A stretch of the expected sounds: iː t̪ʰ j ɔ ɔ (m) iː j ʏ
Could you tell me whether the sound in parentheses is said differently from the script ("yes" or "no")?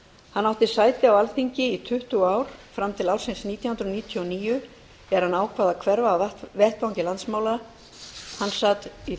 yes